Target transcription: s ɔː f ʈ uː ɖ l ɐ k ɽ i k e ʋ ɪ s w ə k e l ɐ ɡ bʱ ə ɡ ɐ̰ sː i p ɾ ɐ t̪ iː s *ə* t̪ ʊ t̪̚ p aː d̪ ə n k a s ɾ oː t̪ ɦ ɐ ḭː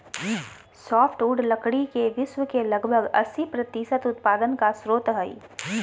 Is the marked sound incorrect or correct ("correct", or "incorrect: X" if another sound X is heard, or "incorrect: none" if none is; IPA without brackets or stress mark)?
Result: correct